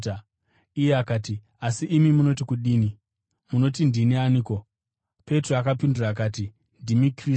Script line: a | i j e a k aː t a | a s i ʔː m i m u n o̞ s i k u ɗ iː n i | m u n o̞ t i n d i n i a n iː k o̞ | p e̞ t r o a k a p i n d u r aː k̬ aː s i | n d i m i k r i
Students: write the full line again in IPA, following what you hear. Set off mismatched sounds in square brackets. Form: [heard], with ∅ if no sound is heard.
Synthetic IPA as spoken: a | i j e a k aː t [i] | a s i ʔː m i m u n o̞ [t] i k u ɗ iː n i | m u n o̞ t i n d i n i a n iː k o̞ | p e̞ t r o a k a p i n d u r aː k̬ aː [t] i | n d i m i k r i

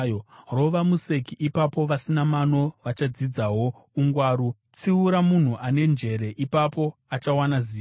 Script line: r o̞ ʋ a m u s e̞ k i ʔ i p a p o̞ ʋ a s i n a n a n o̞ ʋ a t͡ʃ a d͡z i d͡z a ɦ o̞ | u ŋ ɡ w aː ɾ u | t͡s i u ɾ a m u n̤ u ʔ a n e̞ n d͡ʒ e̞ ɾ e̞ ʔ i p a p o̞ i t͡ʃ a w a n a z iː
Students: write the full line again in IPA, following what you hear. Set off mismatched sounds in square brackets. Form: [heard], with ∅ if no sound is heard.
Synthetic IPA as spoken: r o̞ ʋ a m u s e̞ k i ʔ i p a p o̞ ʋ a s i n a [m] a n o̞ ʋ a t͡ʃ a d͡z i d͡z a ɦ o̞ | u ŋ ɡ w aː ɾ u | t͡s i u ɾ a m u n̤ u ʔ a n e̞ n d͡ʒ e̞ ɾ e̞ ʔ i p a p o̞ [a] t͡ʃ a w a n a z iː

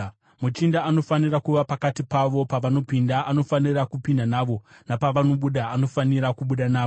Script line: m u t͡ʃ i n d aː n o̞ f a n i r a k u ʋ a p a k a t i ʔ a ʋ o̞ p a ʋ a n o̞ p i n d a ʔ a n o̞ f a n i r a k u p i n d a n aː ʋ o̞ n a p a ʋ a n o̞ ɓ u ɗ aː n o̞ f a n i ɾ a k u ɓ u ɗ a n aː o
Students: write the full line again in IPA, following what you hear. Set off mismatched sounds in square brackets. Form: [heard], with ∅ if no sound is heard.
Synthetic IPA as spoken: m u t͡ʃ i n d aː n o̞ f a n i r a k u ʋ a p a k a t i [p] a ʋ o̞ p a ʋ a n o̞ p i n d a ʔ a n o̞ f a n i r a k u p i n d a n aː ʋ o̞ n a p a ʋ a n o̞ ɓ u ɗ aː n o̞ f a n i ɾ a k u ɓ u ɗ a n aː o

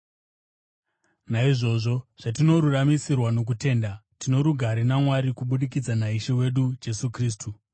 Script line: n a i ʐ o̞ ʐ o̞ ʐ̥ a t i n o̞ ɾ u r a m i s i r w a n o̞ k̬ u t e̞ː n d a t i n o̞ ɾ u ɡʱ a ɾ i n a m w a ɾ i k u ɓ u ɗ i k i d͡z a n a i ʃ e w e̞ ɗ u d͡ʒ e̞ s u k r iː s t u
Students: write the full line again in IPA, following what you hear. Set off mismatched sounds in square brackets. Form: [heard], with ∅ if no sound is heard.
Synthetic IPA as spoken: n a i ʐ o̞ ʐ o̞ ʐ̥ a t i n o̞ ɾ u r a m i s i r w a n o̞ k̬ u t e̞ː n d a t i n o̞ ɾ u ɡʱ a ɾ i n a m w a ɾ i k u ɓ u ɗ i k i d͡z a n a i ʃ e w e̞ ɗ u d͡ʒ e̞ s u k r iː s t u

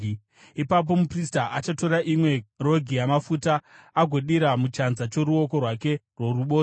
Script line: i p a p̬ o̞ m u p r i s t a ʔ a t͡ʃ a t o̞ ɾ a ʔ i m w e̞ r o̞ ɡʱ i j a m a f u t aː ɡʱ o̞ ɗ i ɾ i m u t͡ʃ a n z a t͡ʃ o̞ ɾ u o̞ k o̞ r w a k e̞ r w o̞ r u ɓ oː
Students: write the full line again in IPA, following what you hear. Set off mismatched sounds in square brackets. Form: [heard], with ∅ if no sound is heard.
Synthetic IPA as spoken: i p a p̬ o̞ m u p r i s t a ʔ a t͡ʃ a t o̞ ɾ a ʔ i m w e̞ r o̞ ɡʱ i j a m a f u t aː ɡʱ o̞ ɗ i ɾ [a] m u t͡ʃ a n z a t͡ʃ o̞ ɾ u o̞ k o̞ r w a k e̞ r w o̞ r u ɓ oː

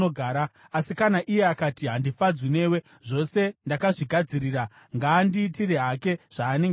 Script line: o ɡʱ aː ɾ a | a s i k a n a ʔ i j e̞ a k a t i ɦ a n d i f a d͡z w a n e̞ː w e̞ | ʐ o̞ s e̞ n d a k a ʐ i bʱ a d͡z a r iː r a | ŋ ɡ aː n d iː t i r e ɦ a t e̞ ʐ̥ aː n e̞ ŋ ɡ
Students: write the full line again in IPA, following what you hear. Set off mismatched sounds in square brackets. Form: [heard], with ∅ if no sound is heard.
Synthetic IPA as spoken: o ɡʱ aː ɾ a | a s i k a n a ʔ i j e̞ a k a t i ɦ a n d i f a d͡z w [i] n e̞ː w e̞ | ʐ o̞ s e̞ n d a k a ʐ i [ɡʱ] a d͡z [i] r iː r a | ŋ ɡ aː n d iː t i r e ɦ a [k] e̞ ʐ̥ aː n e̞ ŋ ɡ

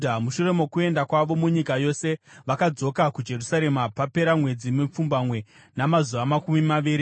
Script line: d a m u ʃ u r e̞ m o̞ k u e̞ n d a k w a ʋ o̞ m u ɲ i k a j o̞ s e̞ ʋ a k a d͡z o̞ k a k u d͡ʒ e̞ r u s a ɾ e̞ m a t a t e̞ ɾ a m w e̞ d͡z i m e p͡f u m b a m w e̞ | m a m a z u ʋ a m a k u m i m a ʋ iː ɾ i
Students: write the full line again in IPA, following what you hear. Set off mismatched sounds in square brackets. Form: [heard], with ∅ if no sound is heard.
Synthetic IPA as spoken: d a m u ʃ u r e̞ m o̞ k u e̞ n d a k w a ʋ o̞ m u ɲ i k a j o̞ s e̞ ʋ a k a d͡z o̞ k a k u d͡ʒ e̞ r u s a ɾ e̞ m a [p] a [p] e̞ ɾ a m w e̞ d͡z i m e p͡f u m b a m w e̞ | [n] a m a z u ʋ a m a k u m i m a ʋ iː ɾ i

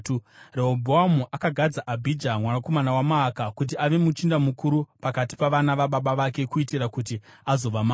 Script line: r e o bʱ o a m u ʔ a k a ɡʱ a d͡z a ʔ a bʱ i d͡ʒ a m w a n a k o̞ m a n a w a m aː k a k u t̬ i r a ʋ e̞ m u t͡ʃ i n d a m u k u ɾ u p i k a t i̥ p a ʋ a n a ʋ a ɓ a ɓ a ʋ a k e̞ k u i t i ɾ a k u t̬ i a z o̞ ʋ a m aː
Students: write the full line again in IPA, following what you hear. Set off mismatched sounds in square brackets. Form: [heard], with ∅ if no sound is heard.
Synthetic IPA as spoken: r e o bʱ o a m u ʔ a k a ɡʱ a d͡z a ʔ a bʱ i d͡ʒ a m w a n a k o̞ m a n a w a m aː k a k u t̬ i [∅] a ʋ e̞ m u t͡ʃ i n d a m u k u ɾ u p [a] k a t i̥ p a ʋ a n a ʋ a ɓ a ɓ a ʋ a k e̞ k u i t i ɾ a k u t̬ i a z o̞ ʋ a m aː

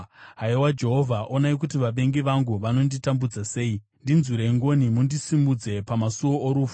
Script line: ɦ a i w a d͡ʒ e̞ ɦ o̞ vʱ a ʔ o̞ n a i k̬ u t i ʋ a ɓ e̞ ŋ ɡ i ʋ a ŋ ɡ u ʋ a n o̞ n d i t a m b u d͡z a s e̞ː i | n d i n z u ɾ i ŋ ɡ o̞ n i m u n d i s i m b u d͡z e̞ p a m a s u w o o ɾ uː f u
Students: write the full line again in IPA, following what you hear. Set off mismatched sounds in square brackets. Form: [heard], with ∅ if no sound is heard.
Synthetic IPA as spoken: ɦ a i w a d͡ʒ e̞ ɦ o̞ vʱ a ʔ o̞ n a i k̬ u t i ʋ a ɓ e̞ ŋ ɡ i ʋ a ŋ ɡ u ʋ a n o̞ n d i t a m b u d͡z a s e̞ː i | n d i n z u ɾ [e] ŋ ɡ o̞ n i m u n d i s i m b u d͡z e̞ p a m a s u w o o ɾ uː f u

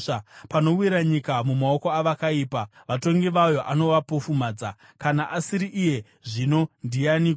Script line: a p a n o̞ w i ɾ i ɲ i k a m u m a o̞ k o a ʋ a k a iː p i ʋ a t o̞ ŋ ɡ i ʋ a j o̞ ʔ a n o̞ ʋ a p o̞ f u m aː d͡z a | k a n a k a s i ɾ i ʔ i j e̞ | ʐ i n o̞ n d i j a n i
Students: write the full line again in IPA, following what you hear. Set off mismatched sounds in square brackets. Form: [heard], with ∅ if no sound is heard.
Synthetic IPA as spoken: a p a n o̞ w i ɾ [a] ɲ i k a m u m a o̞ k o a ʋ a k a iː p [a] ʋ a t o̞ ŋ ɡ i ʋ a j o̞ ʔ a n o̞ ʋ a p o̞ f u m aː d͡z a | k a n a [ʔ] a s i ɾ i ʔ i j e̞ | ʐ i n o̞ n d i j a n i

